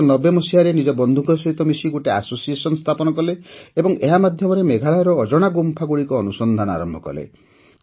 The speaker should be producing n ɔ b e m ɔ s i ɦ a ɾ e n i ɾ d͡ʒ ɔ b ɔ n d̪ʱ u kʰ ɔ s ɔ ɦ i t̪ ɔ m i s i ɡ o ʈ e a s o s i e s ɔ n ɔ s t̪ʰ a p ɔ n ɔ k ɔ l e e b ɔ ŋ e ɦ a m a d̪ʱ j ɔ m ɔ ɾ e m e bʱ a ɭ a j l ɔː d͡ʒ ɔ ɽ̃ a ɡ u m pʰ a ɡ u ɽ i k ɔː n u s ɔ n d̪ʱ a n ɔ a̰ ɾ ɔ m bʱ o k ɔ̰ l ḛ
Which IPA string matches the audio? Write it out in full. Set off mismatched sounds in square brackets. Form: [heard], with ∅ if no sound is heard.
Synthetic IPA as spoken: n ɔ b e m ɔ s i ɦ a ɾ e n i [∅] d͡ʒ ɔ b ɔ n d̪ʱ u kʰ ɔ s ɔ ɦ i t̪ ɔ m i s i ɡ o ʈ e a s o s i e s ɔ n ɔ s t̪ʰ a p ɔ n ɔ k ɔ l e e b ɔ ŋ e ɦ a m a d̪ʱ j ɔ m ɔ ɾ e m e [ɡʱ] a ɭ a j [ɾ] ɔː d͡ʒ ɔ ɽ̃ a ɡ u m pʰ a ɡ u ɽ i k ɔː n u s ɔ n d̪ʱ a n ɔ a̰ ɾ ɔ m bʱ [ɔ] k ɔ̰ l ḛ